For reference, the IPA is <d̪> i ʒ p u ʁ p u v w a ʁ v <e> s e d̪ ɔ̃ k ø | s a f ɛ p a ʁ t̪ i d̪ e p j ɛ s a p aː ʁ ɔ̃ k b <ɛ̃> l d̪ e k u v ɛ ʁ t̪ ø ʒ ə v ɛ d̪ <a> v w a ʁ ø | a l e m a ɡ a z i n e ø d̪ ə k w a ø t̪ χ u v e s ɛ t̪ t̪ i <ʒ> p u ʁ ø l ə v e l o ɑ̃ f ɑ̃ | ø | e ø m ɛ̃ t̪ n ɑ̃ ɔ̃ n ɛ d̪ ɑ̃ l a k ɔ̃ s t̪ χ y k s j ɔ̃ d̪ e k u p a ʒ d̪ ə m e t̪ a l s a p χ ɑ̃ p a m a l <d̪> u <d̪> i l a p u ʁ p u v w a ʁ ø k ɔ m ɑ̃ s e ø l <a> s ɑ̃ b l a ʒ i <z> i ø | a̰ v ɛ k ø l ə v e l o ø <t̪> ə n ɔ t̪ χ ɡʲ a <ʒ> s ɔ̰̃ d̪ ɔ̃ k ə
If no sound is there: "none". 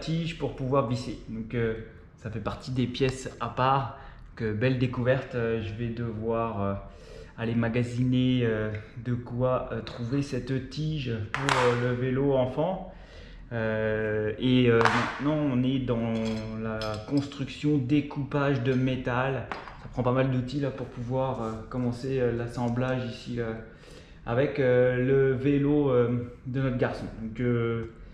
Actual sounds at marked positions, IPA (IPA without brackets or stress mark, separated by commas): t̪, i, ɛ, ə, ʒ, d̪, t̪, a, s, d̪, ʁ